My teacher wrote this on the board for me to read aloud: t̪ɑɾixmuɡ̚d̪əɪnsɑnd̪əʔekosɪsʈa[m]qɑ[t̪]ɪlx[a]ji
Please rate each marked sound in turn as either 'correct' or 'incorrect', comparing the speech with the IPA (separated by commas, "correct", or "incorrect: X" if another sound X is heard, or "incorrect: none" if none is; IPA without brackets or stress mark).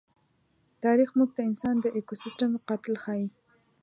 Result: correct, correct, incorrect: ɑ